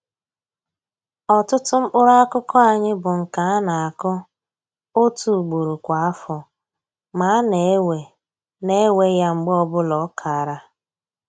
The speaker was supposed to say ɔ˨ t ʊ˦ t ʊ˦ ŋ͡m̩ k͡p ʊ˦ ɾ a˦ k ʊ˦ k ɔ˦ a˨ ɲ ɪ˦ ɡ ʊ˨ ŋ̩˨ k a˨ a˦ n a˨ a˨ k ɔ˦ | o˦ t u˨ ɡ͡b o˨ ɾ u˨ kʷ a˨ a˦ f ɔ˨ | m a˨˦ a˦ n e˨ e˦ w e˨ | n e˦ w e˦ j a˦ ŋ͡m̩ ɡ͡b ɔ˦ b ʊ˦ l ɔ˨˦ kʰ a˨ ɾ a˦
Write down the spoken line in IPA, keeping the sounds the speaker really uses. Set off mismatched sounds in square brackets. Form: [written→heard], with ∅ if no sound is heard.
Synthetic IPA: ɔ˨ t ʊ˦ t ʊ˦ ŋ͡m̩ k͡p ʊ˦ ɾ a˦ k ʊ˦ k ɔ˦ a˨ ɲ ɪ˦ [ɡ→b] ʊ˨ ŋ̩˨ k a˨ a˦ n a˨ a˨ k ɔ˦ | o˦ t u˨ ɡ͡b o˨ ɾ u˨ kʷ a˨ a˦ f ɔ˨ | m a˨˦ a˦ n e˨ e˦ w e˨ | n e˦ w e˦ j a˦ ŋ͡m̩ ɡ͡b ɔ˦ b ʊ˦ l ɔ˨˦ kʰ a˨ ɾ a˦